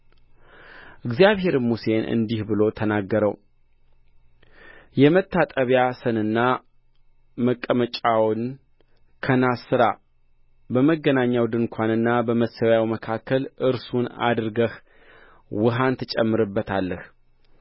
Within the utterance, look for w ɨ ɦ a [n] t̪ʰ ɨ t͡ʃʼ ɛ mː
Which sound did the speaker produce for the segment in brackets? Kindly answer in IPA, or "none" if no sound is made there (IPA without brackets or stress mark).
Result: n